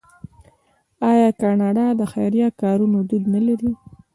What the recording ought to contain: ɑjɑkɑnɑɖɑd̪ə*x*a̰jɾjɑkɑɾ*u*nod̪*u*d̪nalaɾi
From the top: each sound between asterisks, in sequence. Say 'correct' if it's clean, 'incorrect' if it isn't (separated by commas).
correct, correct, correct